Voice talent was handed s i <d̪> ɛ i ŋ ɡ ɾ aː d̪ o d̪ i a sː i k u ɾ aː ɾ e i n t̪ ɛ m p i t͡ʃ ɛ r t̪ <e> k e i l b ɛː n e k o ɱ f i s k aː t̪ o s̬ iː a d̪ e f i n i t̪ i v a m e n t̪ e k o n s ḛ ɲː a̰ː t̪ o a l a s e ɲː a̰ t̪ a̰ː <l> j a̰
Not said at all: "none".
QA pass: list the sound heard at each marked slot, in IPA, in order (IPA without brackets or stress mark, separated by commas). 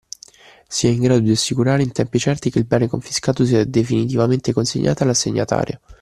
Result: none, i, ɾ